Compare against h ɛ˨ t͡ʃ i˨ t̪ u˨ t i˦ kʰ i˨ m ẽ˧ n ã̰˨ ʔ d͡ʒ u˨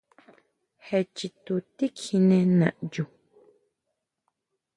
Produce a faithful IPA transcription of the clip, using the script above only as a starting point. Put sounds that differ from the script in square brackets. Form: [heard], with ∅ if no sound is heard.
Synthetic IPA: h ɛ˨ t͡ʃ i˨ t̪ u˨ t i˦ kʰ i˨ [n] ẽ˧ n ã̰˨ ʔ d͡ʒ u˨